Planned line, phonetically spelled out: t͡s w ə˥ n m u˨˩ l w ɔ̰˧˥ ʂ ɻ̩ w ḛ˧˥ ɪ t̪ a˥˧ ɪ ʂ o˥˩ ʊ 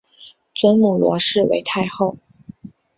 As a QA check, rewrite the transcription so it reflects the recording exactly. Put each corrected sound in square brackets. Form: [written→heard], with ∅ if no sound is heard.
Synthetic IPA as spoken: t͡s w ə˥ n m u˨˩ l w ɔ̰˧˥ ʂ ɻ̩ w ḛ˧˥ ɪ [t̪→t̪ʰ] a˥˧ ɪ [ʂ→x] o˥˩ ʊ

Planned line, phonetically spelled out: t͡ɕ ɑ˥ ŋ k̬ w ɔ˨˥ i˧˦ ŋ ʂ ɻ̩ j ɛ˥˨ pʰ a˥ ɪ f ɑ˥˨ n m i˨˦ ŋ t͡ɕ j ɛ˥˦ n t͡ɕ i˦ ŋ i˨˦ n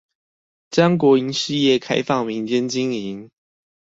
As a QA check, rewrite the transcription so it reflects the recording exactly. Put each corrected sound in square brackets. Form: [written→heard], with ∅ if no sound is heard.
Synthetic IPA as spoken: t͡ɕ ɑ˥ ŋ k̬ w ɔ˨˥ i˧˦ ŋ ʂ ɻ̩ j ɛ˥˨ [pʰ→kʰ] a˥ ɪ f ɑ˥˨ [n→ŋ] m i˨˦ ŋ t͡ɕ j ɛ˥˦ n t͡ɕ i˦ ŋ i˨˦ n

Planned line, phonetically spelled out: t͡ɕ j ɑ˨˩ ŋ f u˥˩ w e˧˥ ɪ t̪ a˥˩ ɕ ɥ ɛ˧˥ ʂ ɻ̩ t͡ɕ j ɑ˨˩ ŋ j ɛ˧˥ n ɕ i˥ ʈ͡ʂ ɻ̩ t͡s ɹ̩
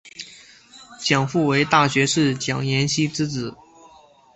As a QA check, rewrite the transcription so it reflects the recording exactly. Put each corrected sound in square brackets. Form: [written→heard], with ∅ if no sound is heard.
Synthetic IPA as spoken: t͡ɕ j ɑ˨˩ ŋ f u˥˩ w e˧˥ ɪ t̪ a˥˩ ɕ ɥ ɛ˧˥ ʂ ɻ̩ t͡ɕ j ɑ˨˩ ŋ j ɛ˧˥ n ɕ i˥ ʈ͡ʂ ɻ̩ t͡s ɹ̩

